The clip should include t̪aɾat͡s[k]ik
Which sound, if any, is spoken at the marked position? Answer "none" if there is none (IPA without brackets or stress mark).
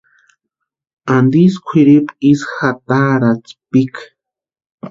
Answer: p